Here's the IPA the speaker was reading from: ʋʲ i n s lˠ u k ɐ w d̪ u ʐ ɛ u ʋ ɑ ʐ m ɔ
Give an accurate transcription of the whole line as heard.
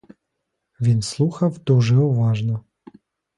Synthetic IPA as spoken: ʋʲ i n s lˠ u x ɐ w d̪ u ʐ ɛ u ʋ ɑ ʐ n ɔ